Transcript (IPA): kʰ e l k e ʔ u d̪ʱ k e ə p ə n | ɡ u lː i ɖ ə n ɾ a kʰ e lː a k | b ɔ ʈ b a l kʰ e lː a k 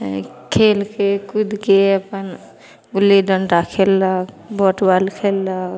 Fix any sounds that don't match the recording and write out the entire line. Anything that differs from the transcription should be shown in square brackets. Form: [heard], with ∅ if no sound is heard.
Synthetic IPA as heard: kʰ e l k e [k] u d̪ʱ k e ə p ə n | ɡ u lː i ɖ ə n ɾ a kʰ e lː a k | b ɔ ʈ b a l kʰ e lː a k